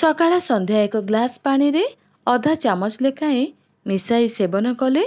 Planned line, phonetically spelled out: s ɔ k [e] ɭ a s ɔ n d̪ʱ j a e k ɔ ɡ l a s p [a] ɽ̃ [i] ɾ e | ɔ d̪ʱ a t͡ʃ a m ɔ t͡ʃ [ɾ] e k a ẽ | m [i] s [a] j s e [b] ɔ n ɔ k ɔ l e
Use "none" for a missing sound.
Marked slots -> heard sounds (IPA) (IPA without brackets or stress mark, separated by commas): a, a, i, l, i, a, b